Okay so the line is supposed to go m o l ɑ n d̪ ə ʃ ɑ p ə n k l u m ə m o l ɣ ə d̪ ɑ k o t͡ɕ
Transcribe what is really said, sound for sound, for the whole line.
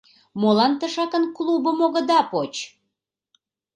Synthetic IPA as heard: m o l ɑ n t̪ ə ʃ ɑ k ə n k l u b ə m o ɣ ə d̪ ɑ p o t͡ɕ